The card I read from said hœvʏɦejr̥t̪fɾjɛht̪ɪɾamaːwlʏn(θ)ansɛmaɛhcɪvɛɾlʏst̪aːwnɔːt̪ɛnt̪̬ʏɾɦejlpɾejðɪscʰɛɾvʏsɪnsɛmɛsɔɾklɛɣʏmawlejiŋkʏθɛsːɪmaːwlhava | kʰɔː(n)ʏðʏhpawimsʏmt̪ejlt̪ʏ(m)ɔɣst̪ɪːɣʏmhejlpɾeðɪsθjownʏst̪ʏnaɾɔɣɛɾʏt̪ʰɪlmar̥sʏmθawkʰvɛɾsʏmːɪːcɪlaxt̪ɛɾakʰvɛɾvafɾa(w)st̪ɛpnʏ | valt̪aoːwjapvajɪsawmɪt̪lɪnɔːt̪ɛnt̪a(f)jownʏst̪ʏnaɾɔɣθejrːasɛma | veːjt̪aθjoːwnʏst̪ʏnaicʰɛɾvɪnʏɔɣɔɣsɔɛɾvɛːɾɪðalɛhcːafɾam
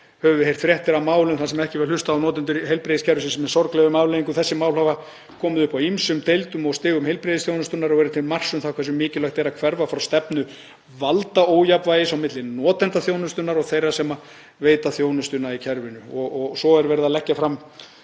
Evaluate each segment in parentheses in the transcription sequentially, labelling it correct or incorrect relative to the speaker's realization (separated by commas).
correct, incorrect, correct, correct, incorrect